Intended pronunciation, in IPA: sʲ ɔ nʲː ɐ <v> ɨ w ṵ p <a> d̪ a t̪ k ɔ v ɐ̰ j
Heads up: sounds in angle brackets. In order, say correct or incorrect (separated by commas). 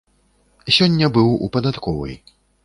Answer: incorrect, incorrect